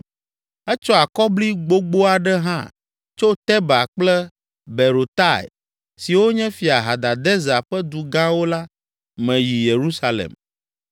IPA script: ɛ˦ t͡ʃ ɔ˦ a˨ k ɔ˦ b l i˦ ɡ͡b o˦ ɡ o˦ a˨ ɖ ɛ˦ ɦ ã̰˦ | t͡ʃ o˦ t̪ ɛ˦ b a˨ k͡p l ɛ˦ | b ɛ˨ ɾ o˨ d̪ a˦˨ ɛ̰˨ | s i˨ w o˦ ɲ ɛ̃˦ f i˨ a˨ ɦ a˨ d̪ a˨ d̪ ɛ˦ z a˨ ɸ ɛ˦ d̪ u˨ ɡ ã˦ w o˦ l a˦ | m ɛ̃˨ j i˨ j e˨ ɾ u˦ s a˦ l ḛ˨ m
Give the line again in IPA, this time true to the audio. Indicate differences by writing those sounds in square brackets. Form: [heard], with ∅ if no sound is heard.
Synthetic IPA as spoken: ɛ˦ t͡ʃ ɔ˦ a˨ k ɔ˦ b l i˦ ɡ͡b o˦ [ɡ͡b] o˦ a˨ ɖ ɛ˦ ɦ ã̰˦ | t͡ʃ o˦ t̪ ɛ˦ b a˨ k͡p l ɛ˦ | b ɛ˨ ɾ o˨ [t̪] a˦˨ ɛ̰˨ | s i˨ w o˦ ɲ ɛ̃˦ f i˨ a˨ ɦ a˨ d̪ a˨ d̪ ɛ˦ z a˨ ɸ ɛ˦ d̪ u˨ ɡ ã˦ w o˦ l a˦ | m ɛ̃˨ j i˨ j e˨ ɾ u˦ s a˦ l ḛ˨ m